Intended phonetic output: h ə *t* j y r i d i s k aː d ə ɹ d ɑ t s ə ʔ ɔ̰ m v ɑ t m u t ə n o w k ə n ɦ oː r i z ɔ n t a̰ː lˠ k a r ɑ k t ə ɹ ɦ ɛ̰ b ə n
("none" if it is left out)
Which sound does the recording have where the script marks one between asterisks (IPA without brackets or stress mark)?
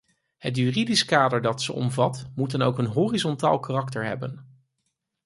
t